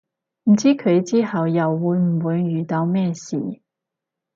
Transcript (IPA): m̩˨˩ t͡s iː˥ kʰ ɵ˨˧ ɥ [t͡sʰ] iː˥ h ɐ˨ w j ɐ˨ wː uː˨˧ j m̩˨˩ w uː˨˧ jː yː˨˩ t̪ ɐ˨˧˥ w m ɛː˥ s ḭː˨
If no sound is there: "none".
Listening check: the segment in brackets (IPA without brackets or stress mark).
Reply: t͡s